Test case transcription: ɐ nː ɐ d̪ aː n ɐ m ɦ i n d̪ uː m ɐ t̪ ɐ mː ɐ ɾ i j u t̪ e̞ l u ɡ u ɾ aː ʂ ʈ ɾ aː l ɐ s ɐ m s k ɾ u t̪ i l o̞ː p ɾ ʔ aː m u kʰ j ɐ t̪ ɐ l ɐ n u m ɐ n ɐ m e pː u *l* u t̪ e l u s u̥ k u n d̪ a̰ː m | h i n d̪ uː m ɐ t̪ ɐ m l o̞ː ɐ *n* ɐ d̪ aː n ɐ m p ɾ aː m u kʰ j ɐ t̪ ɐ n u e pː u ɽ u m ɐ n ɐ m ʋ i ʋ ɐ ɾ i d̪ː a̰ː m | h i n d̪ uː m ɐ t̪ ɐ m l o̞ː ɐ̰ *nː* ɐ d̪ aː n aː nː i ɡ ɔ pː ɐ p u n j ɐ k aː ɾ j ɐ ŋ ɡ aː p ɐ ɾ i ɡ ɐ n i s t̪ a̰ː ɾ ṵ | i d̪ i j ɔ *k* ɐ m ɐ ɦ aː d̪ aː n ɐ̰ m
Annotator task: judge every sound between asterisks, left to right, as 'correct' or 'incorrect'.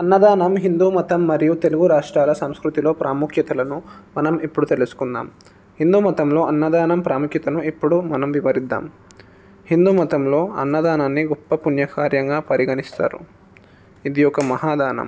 incorrect, incorrect, correct, correct

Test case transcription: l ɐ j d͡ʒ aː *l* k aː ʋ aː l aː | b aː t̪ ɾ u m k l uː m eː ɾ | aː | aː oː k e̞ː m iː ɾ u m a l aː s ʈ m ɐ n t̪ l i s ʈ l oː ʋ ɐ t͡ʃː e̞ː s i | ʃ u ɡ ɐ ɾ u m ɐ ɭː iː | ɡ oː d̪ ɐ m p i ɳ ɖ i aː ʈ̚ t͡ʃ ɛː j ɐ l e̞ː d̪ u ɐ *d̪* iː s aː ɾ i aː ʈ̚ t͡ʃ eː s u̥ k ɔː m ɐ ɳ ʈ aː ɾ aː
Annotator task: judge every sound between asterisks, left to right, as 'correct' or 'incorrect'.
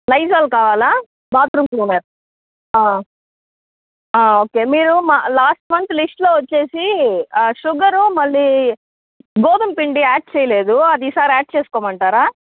correct, correct

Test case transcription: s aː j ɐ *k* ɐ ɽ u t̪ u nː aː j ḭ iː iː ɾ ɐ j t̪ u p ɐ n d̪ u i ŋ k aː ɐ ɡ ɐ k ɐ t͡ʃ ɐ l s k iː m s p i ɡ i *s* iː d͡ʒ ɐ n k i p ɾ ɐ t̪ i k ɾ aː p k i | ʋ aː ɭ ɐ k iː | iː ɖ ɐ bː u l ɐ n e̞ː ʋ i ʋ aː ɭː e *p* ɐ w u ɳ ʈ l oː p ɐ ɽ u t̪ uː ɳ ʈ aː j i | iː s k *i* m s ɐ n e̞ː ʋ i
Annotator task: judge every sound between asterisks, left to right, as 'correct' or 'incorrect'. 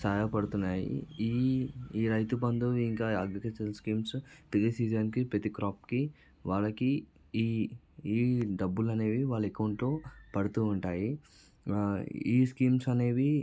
incorrect, correct, incorrect, incorrect

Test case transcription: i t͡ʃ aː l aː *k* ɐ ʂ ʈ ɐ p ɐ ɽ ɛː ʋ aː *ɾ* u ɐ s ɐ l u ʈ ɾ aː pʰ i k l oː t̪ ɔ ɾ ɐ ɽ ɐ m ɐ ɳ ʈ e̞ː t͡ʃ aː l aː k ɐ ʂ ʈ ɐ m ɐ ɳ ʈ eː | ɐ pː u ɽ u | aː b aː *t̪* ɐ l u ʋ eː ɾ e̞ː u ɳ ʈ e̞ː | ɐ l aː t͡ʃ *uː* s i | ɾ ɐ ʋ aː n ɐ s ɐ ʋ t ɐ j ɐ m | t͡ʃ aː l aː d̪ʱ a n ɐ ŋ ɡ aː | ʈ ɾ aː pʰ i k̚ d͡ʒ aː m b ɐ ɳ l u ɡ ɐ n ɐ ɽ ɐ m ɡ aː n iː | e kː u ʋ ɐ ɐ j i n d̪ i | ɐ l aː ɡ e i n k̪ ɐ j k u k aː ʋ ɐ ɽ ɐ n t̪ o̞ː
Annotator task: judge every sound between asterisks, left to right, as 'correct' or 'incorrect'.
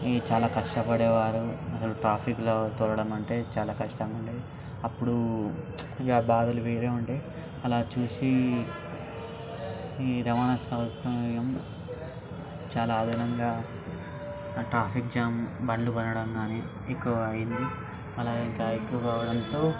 correct, correct, incorrect, correct

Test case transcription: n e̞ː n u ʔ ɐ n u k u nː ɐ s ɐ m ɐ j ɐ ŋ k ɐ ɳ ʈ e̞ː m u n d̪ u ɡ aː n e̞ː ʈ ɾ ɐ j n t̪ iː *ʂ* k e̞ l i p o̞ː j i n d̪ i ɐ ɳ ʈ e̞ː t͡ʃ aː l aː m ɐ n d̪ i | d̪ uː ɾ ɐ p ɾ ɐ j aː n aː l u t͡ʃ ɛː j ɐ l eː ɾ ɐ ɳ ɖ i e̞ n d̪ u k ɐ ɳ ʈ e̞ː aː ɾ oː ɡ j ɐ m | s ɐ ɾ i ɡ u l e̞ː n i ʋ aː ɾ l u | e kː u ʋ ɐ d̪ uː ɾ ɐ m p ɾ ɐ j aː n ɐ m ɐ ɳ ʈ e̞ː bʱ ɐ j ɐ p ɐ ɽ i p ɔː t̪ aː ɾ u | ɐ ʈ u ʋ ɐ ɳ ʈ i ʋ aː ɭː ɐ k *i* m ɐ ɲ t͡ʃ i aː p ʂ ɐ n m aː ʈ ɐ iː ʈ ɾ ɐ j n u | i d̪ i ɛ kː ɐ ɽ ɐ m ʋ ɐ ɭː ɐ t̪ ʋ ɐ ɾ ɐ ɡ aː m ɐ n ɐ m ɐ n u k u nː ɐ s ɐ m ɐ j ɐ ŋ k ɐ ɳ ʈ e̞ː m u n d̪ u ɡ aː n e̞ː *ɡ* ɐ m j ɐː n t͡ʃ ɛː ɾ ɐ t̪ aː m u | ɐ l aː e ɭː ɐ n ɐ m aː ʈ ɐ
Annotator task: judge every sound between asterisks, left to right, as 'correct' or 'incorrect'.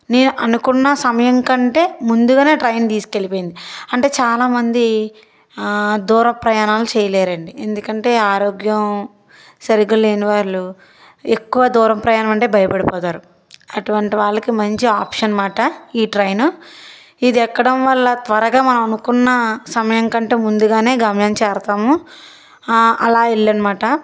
incorrect, correct, correct

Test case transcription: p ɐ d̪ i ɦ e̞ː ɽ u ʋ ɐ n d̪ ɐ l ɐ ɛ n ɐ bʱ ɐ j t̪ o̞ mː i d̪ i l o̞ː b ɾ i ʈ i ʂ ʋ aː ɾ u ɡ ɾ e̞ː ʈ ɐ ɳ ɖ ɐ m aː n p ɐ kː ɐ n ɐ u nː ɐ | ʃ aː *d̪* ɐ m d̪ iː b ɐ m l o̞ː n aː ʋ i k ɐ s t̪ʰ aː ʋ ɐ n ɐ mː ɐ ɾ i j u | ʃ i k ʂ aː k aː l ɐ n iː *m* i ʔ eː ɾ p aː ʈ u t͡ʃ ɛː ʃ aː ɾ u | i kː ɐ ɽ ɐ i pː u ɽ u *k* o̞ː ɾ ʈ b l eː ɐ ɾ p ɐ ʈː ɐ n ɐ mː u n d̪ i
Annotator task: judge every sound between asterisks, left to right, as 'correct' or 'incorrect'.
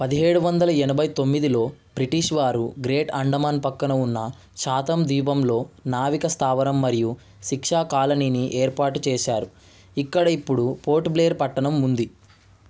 incorrect, incorrect, incorrect

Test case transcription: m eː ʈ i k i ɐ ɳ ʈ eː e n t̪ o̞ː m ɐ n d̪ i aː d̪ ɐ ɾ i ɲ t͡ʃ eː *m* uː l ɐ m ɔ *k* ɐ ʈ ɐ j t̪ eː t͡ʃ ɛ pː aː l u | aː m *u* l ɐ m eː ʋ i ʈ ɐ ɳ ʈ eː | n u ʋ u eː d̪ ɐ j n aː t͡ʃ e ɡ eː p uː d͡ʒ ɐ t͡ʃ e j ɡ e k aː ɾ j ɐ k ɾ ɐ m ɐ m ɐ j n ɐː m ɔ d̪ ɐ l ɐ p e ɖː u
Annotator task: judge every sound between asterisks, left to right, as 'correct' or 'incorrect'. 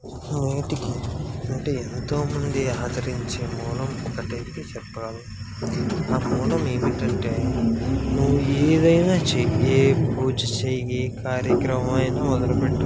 correct, correct, incorrect

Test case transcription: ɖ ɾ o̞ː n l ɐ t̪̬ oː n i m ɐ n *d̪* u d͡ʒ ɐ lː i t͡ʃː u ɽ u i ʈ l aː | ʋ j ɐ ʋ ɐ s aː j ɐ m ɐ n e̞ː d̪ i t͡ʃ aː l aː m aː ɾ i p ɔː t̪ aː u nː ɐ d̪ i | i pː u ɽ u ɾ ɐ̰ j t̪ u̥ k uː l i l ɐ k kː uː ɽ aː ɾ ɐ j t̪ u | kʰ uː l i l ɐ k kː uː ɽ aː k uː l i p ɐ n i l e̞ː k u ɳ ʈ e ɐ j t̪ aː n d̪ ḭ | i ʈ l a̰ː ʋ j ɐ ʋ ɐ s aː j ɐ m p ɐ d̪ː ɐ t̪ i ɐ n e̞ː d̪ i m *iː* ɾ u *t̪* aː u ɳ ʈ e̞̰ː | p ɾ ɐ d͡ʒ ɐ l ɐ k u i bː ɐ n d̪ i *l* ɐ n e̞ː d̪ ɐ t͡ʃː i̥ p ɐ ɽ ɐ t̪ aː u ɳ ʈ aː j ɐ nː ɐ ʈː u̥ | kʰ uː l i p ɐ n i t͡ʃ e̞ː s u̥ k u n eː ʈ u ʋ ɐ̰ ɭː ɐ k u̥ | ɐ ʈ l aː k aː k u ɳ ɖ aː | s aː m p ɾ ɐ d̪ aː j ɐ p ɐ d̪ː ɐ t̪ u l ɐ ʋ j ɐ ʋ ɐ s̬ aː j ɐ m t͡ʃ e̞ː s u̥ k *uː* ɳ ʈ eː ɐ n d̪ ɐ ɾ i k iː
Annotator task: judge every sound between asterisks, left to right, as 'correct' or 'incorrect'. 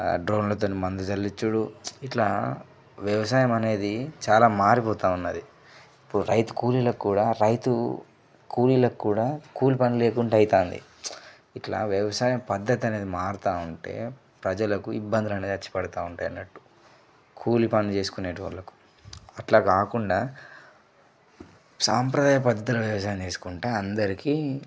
correct, incorrect, correct, correct, incorrect

